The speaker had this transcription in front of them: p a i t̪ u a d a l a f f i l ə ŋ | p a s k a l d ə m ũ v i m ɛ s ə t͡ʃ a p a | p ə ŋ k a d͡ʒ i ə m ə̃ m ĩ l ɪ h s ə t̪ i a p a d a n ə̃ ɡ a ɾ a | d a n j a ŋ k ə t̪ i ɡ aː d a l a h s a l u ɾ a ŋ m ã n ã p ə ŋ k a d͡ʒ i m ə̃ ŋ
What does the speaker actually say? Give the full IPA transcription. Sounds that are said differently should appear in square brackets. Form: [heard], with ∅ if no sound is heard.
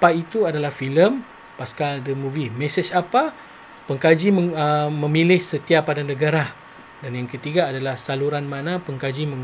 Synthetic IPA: p a i t̪ u a d a l a [h] f i l ə [m] | p a s k a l d ə m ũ v i m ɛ s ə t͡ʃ a p a | p ə ŋ k a d͡ʒ i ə m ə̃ m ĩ l ɪ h s ə t̪ i a p a d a n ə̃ ɡ a ɾ a | d a n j a ŋ k ə t̪ i ɡ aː d a l a h s a l u ɾ a [n] m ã n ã p ə ŋ k a d͡ʒ i m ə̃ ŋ

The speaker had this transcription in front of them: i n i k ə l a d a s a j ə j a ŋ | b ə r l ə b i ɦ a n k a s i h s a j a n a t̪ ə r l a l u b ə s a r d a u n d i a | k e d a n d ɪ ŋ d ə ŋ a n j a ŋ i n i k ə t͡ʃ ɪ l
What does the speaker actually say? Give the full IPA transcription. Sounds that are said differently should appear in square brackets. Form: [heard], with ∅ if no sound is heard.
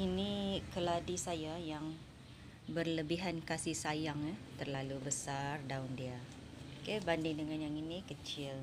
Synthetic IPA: i n i k ə l a d [i] s a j [a] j a ŋ | b ə r l ə b i ɦ a n k a s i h s a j a [ŋ] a t̪ ə r l a l u b ə s a r d a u n d i a | k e [b] a n d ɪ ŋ d ə ŋ a n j a ŋ i n i k ə t͡ʃ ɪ l

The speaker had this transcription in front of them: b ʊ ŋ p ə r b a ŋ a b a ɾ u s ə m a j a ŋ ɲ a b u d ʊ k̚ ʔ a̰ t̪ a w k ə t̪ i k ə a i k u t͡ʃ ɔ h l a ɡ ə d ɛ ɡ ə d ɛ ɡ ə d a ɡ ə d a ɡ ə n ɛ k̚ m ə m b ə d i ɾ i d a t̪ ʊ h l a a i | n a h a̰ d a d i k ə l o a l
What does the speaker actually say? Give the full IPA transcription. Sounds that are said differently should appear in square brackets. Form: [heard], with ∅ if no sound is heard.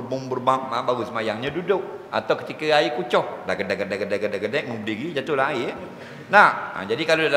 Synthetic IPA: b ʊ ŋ [b] ə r b a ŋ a b a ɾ u s ə m a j a ŋ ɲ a [d] u d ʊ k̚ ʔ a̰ t̪ a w k ə t̪ i k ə a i k u t͡ʃ ɔ h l a ɡ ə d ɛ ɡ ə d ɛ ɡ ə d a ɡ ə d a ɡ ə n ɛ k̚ m ə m b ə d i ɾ i [d͡ʒ] a t̪ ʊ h l a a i | n a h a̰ [d͡ʒ] a d i k [a] l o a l

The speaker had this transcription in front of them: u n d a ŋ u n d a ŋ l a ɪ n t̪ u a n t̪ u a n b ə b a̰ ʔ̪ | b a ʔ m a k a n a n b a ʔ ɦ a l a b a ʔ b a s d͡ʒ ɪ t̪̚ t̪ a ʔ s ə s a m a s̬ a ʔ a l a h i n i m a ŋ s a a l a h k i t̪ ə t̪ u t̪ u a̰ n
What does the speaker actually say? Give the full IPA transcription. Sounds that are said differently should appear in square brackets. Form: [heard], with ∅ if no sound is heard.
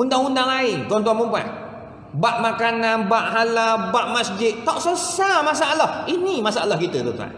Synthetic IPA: u n d a ŋ u n d a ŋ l a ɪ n t̪ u a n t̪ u a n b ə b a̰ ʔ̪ | b a ʔ m a k a n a n b a ʔ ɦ a l a b a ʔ [m] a s d͡ʒ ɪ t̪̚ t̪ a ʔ s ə s a m a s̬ a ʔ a l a h i n i m a [∅] s a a l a h k i t̪ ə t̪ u t̪ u a̰ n

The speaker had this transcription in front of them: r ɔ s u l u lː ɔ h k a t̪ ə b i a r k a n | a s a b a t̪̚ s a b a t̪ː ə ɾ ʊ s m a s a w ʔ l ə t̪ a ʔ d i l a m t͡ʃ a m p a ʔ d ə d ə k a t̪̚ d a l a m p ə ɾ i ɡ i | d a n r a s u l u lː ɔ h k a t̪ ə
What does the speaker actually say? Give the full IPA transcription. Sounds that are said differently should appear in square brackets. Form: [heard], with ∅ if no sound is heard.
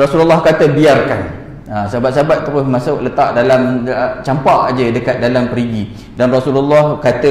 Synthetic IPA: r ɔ s u l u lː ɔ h k a t̪ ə b i a r k a n | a s a b a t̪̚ s a b a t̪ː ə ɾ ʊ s m a s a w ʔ l ə t̪ a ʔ d [a] l a m t͡ʃ a m p a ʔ [d͡ʒ] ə d ə k a t̪̚ d a l a m p ə ɾ i ɡ i | d a n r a s u l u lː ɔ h k a t̪ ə

